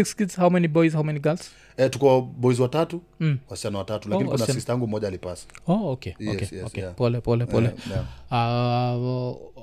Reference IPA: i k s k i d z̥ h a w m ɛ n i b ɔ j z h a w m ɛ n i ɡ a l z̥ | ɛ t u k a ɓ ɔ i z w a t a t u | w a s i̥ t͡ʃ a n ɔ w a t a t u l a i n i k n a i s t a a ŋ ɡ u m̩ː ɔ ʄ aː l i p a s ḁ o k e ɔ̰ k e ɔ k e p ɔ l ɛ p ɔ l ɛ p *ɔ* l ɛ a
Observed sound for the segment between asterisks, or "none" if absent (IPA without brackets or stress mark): ɔ